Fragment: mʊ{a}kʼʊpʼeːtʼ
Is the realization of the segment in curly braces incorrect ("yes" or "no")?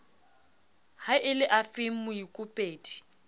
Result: yes